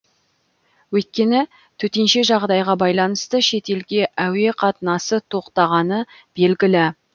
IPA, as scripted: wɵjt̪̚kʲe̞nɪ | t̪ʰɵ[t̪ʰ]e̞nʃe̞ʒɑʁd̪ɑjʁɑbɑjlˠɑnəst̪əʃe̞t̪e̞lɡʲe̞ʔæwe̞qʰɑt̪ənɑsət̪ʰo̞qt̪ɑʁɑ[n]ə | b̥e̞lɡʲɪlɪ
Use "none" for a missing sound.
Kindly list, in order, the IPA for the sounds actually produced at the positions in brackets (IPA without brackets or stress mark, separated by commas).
t̪, n